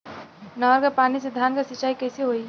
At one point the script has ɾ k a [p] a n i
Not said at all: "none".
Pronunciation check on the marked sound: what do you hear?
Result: p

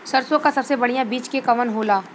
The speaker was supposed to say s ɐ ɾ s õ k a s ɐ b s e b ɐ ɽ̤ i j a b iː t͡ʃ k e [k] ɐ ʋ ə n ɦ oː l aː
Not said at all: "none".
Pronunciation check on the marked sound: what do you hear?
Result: k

